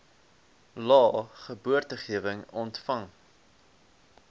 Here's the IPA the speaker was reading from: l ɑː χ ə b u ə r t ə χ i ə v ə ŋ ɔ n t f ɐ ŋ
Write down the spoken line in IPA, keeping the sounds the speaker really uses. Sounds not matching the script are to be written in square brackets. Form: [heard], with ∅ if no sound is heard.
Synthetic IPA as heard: l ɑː χ ə b u ə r t ə χ i ə v ə ŋ ɔ n t f ɐ ŋ

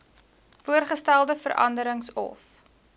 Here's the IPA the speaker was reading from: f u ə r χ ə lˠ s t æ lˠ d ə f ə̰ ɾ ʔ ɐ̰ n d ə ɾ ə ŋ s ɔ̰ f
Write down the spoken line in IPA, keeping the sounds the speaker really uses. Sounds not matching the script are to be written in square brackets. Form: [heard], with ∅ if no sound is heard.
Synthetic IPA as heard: f u ə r χ ə [∅] s t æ lˠ d ə f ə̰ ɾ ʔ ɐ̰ n d ə ɾ ə ŋ s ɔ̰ f

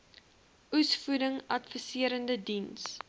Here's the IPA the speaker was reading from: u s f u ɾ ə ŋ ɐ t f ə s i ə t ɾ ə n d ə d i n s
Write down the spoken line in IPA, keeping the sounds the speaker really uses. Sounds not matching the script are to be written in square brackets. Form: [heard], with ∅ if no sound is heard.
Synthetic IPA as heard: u s f u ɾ ə ŋ ɐ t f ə s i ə [∅] ɾ ə n d ə d i n s

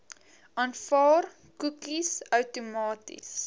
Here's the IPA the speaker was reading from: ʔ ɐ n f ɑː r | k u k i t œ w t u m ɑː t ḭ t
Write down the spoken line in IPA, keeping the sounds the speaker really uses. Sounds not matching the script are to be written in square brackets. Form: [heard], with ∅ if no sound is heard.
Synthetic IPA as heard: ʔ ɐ n f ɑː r | k u k i [s] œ w t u m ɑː t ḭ [s]

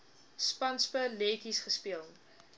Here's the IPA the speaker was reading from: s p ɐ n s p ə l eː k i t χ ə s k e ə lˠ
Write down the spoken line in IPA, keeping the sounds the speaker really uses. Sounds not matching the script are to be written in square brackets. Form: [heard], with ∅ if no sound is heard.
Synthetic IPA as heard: s p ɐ n s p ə l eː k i [s] χ ə s [p] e ə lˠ

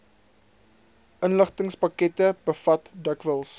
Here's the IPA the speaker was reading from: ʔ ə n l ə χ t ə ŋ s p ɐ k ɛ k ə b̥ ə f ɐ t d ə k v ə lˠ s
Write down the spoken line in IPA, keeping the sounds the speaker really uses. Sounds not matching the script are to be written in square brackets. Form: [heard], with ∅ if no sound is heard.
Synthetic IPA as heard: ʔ ə n l ə χ t ə ŋ s p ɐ k ɛ [t] ə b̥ ə f ɐ t d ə k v ə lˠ s

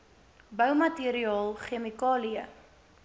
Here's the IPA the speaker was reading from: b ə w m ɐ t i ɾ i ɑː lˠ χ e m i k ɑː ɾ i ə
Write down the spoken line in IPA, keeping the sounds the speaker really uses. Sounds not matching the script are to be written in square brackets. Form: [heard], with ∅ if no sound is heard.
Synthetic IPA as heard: b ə w m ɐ t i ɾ i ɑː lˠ χ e m i k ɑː [l] i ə

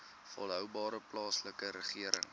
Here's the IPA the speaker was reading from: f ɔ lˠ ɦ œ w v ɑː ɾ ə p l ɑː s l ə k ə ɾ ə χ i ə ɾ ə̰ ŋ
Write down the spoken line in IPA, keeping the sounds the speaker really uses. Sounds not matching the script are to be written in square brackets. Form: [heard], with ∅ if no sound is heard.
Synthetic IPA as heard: f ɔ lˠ ɦ œ w [b] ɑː ɾ ə p l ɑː s l ə k ə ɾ ə χ i ə ɾ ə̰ ŋ

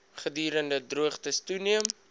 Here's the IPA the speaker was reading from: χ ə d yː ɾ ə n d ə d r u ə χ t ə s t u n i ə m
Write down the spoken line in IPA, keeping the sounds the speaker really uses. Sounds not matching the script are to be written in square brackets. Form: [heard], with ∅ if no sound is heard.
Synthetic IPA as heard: χ ə d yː ɾ ə n d ə d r u ə χ t ə s t u n i ə m

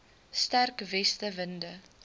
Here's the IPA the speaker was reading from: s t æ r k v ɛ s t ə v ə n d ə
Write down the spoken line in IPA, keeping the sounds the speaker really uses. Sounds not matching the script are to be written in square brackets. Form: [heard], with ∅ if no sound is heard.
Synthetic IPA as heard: s t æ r k v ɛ s t ə v ə n d ə

